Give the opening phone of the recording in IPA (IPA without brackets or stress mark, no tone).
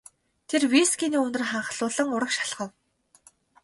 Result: t̪ʰ